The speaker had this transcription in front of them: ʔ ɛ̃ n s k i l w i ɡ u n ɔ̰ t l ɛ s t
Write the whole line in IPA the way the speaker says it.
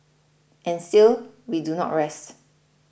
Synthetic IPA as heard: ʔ ɛ̃ n s t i l w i d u n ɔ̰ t ɹ ɛ s t